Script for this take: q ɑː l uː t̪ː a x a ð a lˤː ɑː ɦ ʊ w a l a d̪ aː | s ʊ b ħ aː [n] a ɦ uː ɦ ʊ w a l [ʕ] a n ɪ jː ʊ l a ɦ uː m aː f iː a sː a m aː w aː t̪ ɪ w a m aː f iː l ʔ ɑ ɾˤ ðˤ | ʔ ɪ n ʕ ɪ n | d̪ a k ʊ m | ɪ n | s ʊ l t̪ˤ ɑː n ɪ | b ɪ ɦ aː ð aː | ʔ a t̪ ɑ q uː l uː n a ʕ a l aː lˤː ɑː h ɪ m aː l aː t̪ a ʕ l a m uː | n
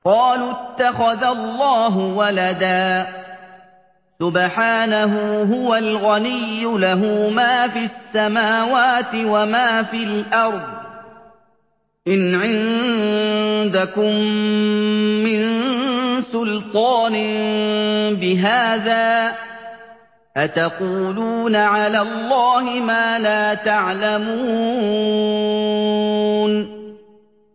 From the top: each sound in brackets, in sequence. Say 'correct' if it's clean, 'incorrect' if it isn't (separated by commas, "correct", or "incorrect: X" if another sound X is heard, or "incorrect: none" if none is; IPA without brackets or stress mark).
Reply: correct, incorrect: ɣ